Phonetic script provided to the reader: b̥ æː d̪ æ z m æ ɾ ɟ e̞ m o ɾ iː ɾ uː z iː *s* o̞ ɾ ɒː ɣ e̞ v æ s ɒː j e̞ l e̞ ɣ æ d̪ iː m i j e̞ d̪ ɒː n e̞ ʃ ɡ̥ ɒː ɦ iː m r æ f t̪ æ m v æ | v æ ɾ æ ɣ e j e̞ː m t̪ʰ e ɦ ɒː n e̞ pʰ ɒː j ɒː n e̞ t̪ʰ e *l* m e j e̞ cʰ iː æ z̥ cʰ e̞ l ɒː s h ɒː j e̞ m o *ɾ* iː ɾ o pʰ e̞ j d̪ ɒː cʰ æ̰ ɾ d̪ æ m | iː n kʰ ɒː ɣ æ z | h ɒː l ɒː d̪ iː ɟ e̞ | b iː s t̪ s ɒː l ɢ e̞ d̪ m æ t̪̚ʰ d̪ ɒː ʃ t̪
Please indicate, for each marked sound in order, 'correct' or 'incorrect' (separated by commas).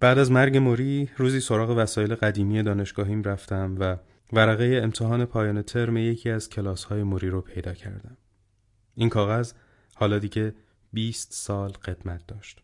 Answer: correct, incorrect, correct